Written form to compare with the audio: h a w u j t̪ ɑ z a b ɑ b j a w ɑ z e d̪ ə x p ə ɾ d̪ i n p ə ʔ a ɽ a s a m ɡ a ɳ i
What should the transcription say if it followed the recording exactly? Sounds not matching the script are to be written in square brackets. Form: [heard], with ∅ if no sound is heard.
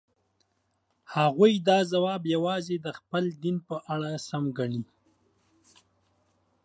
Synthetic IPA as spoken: h a [ɣ] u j [d̪] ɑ z a [w] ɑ b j a w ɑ z e d̪ ə x p ə [l] d̪ i n p ə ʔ a ɽ a s a m ɡ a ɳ i